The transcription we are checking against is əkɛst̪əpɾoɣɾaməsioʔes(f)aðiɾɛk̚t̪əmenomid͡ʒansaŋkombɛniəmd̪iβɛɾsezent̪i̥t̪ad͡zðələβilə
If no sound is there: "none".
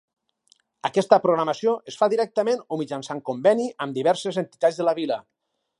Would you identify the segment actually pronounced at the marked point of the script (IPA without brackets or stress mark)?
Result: f